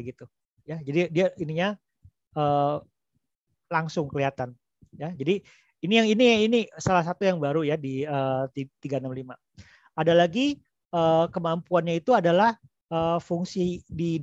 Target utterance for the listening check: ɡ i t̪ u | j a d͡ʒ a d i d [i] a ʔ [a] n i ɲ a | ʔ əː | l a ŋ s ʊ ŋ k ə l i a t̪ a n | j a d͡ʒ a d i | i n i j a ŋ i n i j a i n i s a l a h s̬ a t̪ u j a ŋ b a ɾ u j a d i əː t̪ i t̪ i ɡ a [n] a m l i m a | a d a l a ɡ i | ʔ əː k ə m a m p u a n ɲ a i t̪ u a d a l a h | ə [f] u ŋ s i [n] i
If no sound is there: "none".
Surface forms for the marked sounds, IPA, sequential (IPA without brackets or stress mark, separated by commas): i, i, n, f, d